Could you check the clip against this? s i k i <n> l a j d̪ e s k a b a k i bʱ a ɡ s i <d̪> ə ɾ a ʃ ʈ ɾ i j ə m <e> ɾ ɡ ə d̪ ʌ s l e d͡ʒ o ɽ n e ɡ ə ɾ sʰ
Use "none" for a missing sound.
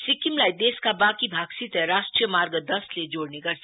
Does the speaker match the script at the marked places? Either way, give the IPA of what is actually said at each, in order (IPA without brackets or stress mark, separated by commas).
m, t̪, a